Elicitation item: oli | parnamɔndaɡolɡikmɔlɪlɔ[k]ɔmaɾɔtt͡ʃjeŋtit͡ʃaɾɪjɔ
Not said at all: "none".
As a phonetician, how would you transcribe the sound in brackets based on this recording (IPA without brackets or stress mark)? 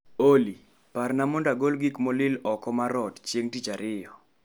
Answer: k